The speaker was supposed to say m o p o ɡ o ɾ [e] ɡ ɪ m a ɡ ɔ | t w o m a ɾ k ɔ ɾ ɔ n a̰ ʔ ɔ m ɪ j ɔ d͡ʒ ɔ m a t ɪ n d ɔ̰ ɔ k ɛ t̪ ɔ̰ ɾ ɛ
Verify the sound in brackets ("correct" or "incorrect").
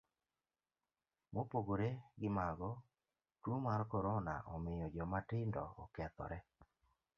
correct